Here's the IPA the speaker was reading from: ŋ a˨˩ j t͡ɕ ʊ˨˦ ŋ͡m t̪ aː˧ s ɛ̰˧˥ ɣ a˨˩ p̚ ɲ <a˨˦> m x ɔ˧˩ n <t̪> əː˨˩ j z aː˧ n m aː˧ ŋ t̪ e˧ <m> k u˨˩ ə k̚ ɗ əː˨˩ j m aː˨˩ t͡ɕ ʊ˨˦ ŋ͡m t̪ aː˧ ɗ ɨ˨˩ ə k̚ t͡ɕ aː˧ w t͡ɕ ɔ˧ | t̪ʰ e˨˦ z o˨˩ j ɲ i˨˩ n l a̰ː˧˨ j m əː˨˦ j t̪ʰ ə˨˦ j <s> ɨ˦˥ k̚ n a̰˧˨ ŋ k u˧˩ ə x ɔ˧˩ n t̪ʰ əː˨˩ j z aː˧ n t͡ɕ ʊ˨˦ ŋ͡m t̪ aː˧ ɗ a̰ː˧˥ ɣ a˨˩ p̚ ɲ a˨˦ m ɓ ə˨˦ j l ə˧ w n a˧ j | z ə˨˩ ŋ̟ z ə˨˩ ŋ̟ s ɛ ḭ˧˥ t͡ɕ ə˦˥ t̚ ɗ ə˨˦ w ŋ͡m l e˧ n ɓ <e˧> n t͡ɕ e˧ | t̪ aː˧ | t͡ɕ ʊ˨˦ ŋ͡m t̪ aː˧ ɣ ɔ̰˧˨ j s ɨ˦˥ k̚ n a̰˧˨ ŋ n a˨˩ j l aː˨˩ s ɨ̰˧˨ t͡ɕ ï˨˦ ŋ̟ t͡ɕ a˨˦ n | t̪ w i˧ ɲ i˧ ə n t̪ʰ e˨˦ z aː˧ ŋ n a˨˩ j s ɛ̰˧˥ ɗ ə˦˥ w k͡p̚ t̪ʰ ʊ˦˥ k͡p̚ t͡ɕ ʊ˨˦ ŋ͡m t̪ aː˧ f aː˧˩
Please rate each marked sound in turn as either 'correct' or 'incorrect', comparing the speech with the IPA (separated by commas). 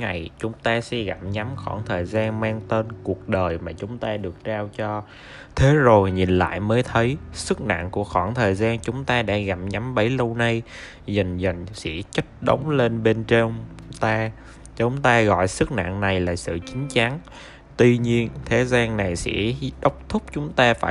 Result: correct, incorrect, incorrect, correct, correct